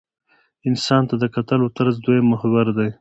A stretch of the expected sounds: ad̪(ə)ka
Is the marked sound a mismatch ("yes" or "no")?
no